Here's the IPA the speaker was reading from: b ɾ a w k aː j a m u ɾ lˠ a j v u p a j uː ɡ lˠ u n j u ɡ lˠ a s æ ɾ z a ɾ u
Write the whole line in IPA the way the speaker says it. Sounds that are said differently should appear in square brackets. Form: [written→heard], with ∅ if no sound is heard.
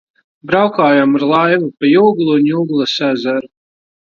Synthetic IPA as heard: b ɾ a w k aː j a m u ɾ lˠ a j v u p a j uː ɡ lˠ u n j u ɡ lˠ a s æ [ɾ→∅] z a ɾ u

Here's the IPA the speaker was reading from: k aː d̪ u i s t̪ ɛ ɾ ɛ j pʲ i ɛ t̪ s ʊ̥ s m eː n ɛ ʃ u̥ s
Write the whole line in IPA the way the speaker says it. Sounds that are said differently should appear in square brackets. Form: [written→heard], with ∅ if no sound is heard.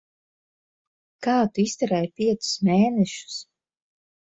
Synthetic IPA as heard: k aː [d̪→t̪] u i s t̪ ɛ ɾ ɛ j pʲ i ɛ t̪ s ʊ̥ s m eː n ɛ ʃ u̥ s

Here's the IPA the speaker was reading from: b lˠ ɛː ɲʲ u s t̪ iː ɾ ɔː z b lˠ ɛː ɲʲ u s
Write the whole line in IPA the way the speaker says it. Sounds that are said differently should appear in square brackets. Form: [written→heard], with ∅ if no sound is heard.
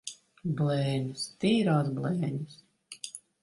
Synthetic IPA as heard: b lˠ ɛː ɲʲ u s t̪ iː ɾ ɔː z b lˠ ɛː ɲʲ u s

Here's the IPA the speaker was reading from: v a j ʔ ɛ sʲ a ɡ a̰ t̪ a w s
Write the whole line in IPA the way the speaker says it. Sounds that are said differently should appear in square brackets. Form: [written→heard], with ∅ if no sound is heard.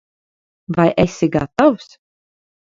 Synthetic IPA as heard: v a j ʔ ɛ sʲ [a→i] ɡ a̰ t̪ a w s

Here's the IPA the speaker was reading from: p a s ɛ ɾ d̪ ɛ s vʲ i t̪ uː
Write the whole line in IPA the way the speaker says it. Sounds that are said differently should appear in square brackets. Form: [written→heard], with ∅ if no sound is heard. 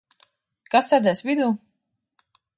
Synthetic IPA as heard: [p→k] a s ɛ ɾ d̪ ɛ s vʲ i [t̪→d̪] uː

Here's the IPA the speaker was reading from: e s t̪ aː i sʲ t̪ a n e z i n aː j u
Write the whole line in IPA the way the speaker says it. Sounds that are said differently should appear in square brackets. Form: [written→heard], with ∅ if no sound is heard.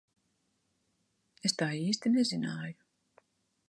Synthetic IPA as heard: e s t̪ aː [i→iː] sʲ t̪ [a→i] n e z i n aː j u

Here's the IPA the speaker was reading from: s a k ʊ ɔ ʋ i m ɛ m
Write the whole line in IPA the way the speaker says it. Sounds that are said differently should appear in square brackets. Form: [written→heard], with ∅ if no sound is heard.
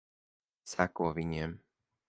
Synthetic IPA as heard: s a k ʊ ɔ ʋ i [m→ɲ] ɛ m

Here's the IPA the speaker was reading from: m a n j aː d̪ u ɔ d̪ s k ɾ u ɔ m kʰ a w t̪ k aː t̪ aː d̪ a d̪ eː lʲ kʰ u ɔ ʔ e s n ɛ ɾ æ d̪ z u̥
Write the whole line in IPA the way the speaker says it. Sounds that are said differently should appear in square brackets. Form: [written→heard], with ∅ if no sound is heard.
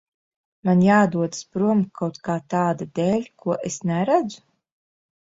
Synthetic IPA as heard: m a n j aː d̪ u ɔ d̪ s [k→p] ɾ u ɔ m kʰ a w t̪ k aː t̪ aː d̪ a d̪ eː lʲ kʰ u ɔ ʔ e s n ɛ ɾ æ d̪ z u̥

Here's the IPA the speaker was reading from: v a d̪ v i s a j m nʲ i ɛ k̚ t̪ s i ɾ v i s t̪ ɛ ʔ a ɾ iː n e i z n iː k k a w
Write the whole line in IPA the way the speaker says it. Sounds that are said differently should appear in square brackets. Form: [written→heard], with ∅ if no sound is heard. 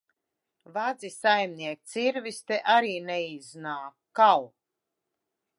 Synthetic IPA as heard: v a d̪ [v→z] i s a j m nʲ i ɛ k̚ t̪ s i ɾ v i s t̪ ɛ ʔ a ɾ iː n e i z n [iː→aː] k k a w

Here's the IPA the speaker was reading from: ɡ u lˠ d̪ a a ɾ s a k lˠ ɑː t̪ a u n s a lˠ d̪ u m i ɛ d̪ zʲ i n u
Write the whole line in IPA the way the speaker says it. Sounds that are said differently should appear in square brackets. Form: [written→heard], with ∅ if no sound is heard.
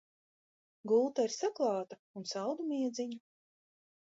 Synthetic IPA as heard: ɡ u lˠ [d̪→t̪] a [a→i] ɾ s a k lˠ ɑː t̪ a u n s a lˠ d̪ u m i ɛ d̪ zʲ i [n→ɲ] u

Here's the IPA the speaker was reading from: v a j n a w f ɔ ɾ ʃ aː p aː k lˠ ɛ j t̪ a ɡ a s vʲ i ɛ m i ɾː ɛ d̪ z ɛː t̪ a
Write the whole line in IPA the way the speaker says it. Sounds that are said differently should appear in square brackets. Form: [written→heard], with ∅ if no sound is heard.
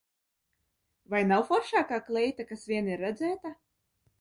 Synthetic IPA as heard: v a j n a w f ɔ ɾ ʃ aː [p→k] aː k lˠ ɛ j t̪ a [ɡ→k] a s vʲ i ɛ [m→n] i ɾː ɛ d̪ z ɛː t̪ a

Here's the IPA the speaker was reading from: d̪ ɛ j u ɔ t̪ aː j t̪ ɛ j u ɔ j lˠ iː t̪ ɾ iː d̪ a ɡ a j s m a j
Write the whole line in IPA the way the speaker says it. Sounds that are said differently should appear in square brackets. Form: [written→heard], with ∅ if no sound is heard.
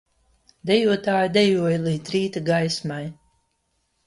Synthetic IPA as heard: d̪ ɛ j u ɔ t̪ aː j [t̪→d̪] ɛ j u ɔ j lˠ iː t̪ ɾ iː [d̪→t̪] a ɡ a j s m a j

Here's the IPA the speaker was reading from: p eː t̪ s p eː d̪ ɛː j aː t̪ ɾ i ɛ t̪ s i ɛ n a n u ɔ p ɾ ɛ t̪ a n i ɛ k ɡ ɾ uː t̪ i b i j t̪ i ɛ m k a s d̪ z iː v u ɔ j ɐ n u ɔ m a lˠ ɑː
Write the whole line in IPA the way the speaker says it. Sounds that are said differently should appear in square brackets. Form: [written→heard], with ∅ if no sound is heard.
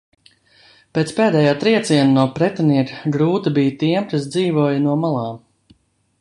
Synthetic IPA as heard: p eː t̪ s p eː d̪ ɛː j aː t̪ ɾ i ɛ t̪ s i ɛ n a n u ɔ p ɾ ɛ t̪ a n i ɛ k ɡ ɾ uː t̪ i b i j t̪ i ɛ m k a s d̪ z iː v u ɔ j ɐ n u ɔ m a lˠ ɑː

